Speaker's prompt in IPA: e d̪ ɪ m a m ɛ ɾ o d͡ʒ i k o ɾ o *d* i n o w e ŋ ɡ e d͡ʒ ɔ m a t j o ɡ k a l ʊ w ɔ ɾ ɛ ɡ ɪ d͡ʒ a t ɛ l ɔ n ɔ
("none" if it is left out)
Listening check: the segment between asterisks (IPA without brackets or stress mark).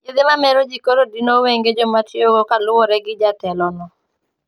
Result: d